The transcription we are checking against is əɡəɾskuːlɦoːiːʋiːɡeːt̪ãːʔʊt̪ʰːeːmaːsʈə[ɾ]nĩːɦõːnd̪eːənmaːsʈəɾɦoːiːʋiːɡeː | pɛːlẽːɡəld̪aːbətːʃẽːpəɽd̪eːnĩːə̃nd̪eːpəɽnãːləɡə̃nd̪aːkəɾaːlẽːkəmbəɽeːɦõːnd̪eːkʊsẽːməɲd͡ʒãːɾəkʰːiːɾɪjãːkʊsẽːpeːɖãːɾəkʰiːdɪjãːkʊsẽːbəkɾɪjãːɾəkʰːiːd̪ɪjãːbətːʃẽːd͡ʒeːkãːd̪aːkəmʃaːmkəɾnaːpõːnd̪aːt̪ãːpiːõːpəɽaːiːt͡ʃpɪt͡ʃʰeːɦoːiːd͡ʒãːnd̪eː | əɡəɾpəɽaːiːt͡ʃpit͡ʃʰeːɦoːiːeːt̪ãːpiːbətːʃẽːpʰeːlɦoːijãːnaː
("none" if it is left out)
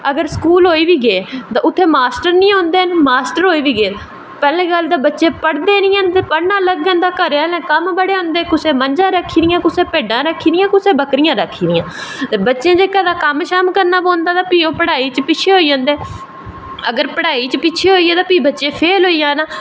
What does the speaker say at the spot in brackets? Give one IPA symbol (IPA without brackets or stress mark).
ɾ